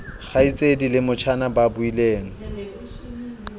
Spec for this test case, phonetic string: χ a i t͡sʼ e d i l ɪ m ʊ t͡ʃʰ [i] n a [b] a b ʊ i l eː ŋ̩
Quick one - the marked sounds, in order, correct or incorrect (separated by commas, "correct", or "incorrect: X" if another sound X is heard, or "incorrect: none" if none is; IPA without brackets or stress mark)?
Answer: incorrect: a, correct